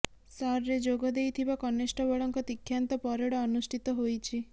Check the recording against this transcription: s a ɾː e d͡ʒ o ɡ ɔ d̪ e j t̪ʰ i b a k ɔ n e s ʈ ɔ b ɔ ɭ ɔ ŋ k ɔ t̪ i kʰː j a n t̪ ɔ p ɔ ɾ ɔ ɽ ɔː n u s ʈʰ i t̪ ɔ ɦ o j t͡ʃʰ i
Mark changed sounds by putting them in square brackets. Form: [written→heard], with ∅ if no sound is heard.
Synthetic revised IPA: s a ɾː e d͡ʒ o ɡ ɔ d̪ e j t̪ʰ i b a k ɔ n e s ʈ ɔ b ɔ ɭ ɔ ŋ k ɔ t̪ i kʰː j a n t̪ ɔ p ɔ ɾ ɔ ɽ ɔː n u s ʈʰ i t̪ ɔ ɦ o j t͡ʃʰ i

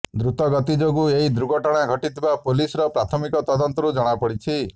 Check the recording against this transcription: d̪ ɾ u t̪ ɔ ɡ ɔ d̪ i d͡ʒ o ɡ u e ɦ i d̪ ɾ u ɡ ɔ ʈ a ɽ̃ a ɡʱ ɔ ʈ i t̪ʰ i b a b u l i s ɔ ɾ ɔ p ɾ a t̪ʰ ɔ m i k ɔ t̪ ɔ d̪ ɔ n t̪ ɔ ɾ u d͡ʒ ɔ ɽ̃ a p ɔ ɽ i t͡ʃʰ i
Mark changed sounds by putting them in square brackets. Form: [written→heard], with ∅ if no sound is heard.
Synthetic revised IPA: d̪ ɾ u t̪ ɔ ɡ ɔ [d̪→t̪] i d͡ʒ o ɡ u e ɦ i d̪ ɾ u ɡ ɔ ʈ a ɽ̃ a ɡʱ ɔ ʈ i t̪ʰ i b a [b→p] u l i s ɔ ɾ ɔ p ɾ a t̪ʰ ɔ m i k ɔ t̪ ɔ d̪ ɔ n t̪ ɔ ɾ u d͡ʒ ɔ ɽ̃ a p ɔ ɽ i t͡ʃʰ i

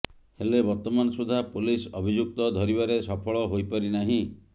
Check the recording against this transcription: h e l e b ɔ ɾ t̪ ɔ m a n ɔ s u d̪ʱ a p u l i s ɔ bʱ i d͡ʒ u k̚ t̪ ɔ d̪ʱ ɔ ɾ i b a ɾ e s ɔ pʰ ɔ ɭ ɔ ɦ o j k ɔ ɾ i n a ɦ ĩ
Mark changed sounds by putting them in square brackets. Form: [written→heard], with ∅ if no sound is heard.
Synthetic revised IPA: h e l e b ɔ ɾ t̪ ɔ m a n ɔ s u d̪ʱ a p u l i s ɔ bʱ i d͡ʒ u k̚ t̪ ɔ d̪ʱ ɔ ɾ i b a ɾ e s ɔ pʰ ɔ ɭ ɔ ɦ o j [k→p] ɔ ɾ i n a ɦ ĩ

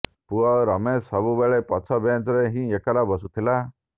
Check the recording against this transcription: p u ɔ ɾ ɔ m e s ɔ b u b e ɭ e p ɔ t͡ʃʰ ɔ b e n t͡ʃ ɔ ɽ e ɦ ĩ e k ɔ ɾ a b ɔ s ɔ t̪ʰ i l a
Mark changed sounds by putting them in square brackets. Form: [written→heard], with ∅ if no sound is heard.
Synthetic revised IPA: p u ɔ ɾ ɔ m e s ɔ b u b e ɭ e p ɔ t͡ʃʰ ɔ b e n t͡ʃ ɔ [ɽ→ɾ] e ɦ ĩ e k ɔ ɾ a b ɔ s [ɔ→u] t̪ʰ i l a

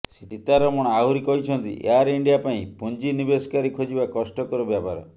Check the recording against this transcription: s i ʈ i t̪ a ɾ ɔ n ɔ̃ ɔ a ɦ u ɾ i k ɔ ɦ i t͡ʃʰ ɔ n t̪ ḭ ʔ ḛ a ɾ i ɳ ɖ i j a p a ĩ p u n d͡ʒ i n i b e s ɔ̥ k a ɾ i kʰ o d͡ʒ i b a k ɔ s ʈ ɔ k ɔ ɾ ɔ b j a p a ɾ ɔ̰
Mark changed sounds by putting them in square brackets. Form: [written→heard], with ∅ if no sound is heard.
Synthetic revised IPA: s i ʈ i t̪ a ɾ ɔ [n→m] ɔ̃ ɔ a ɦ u ɾ i k ɔ ɦ i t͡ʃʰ ɔ n t̪ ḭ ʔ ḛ a ɾ i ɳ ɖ i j a p a ĩ p u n d͡ʒ i n i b e s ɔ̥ k a ɾ i kʰ o d͡ʒ i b a k ɔ s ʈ ɔ k ɔ ɾ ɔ b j a p a ɾ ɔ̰

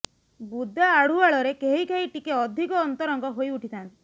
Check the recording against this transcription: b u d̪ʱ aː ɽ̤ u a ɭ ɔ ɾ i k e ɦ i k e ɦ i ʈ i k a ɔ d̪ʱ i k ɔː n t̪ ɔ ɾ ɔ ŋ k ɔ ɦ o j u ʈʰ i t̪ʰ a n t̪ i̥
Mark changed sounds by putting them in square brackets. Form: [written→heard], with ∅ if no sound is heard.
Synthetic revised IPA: b u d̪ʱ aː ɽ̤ u a ɭ ɔ ɾ [i→e] k e ɦ i k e ɦ i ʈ i k [a→e] ɔ d̪ʱ i k ɔː n t̪ ɔ ɾ ɔ ŋ [k→ɡ] ɔ ɦ o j u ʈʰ i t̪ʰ a n t̪ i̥

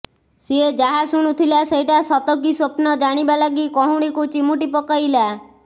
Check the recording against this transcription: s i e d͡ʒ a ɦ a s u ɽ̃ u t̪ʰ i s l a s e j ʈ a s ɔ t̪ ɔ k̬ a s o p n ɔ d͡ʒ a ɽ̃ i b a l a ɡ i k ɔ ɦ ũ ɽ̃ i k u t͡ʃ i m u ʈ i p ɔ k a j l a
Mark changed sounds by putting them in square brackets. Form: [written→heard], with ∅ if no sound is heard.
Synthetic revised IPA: s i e d͡ʒ a ɦ a s u ɽ̃ u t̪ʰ i [s→∅] l a s e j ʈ a s ɔ t̪ ɔ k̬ [a→i] s o p n ɔ d͡ʒ a ɽ̃ i b a l a ɡ i k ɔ ɦ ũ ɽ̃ i k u t͡ʃ i m u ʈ i p ɔ k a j l a

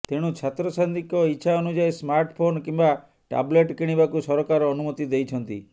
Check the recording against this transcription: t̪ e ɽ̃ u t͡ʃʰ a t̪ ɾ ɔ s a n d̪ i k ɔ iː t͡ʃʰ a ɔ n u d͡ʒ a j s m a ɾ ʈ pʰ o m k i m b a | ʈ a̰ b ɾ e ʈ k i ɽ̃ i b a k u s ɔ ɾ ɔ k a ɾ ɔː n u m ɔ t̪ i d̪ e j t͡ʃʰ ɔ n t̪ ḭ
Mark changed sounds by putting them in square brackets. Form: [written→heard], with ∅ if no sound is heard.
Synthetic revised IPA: t̪ e ɽ̃ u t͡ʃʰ a t̪ ɾ ɔ s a n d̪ i k ɔ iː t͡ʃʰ a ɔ n u d͡ʒ a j s m a ɾ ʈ pʰ o [m→n] k i m b a | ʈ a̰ b [ɾ→l] e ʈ k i ɽ̃ i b a k u s ɔ ɾ ɔ k a ɾ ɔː n u m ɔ t̪ i d̪ e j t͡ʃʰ ɔ n t̪ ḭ

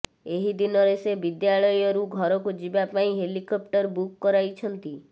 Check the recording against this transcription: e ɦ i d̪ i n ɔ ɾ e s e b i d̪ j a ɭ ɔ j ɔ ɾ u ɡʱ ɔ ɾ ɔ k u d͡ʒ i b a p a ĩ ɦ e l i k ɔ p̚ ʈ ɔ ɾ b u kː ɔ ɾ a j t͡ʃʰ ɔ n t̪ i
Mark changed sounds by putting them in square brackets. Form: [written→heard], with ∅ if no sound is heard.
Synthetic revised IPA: e ɦ i d̪ i n ɔ ɾ e s e b i d̪ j a ɭ ɔ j ɔ ɾ u ɡʱ ɔ ɾ ɔ k u d͡ʒ i b a p a ĩ ɦ e l i k ɔ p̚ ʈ ɔ ɾ b u kː ɔ ɾ a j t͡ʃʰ ɔ n t̪ i

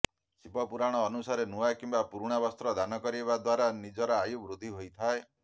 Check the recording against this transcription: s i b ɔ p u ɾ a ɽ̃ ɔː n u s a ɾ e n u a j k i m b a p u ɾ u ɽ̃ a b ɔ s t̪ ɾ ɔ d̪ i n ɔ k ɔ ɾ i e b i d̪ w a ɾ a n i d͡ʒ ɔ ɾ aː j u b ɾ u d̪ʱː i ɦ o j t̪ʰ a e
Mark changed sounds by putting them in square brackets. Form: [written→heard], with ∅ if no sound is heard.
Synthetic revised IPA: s i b ɔ p u ɾ a ɽ̃ ɔː n u s a ɾ e n u a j k i m b a p u ɾ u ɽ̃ a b ɔ s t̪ ɾ ɔ d̪ [i→a] n ɔ k ɔ ɾ i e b [i→a] d̪ w a ɾ a n i d͡ʒ ɔ ɾ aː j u b ɾ u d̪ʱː i ɦ o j t̪ʰ a e

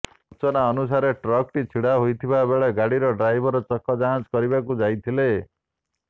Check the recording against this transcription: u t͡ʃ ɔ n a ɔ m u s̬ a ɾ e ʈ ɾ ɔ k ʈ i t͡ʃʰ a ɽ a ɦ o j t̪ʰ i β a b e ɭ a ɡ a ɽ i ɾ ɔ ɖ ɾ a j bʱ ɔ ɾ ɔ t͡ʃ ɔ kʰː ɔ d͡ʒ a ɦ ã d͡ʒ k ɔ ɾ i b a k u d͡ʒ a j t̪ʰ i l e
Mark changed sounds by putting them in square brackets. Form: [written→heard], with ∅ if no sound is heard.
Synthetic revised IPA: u t͡ʃ ɔ n a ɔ [m→n] u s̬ a ɾ e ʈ ɾ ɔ k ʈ i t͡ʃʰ [a→i] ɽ a ɦ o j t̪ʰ i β a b e ɭ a ɡ a ɽ i ɾ ɔ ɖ ɾ a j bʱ ɔ ɾ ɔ t͡ʃ ɔ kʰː ɔ d͡ʒ a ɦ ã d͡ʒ k ɔ ɾ i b a k u d͡ʒ a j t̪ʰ i l e

